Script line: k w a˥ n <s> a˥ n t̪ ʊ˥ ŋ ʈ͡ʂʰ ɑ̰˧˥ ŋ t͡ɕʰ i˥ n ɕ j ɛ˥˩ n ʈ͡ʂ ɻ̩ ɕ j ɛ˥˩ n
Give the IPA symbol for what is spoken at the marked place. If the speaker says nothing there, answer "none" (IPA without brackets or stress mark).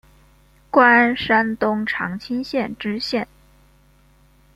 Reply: ʂ